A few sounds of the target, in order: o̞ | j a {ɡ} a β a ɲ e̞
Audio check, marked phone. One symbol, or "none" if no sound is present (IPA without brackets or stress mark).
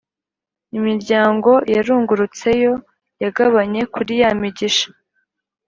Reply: ɡ